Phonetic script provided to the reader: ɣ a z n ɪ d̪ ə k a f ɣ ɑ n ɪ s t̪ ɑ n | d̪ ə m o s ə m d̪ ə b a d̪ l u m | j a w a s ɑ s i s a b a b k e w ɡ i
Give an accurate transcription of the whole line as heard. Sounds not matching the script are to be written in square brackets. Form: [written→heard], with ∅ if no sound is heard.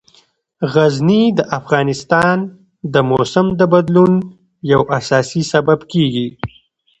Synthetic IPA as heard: ɣ a z n [ɪ→i] d̪ ə [k→ʔ] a f ɣ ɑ n ɪ s t̪ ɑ n | d̪ ə m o s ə m d̪ ə b a d̪ l u [m→n] | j a w a s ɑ s i s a b a b k e [w→∅] ɡ i